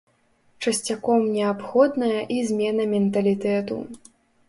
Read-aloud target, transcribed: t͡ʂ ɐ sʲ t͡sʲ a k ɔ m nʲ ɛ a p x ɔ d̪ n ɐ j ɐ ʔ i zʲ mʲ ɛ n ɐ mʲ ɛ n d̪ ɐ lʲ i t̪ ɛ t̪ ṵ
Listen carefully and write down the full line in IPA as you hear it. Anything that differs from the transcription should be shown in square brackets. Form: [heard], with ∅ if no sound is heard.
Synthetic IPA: t͡ʂ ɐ sʲ t͡sʲ a k ɔ m nʲ ɛ a p x ɔ d̪ n ɐ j ɐ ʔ i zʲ mʲ ɛ n ɐ mʲ ɛ n [t̪] ɐ lʲ i t̪ ɛ t̪ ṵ